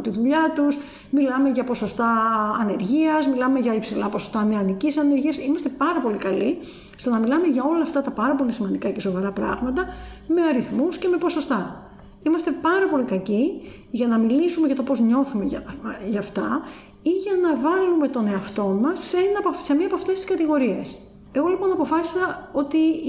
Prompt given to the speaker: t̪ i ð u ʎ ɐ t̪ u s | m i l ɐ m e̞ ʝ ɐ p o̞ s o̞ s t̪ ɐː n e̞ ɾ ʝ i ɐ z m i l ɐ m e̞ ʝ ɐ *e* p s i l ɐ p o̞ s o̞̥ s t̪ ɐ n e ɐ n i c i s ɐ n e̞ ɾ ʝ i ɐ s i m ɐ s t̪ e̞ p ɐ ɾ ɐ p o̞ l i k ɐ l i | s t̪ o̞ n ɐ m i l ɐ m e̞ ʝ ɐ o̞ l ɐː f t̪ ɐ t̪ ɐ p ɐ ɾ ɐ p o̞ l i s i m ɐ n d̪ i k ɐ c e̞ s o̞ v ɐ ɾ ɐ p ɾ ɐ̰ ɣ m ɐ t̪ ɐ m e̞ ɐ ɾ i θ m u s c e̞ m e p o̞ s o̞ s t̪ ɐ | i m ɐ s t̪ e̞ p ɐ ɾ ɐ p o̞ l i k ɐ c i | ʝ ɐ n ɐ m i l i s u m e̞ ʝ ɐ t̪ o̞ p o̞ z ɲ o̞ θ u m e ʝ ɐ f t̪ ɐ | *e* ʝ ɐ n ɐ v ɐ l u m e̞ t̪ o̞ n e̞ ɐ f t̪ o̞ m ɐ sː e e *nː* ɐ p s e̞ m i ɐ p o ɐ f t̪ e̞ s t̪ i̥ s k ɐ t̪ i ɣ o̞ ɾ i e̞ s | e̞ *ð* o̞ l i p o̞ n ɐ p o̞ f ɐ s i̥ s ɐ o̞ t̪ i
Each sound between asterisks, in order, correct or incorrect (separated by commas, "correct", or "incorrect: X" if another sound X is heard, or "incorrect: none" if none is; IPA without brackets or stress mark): incorrect: i, incorrect: i, incorrect: n, incorrect: ɣ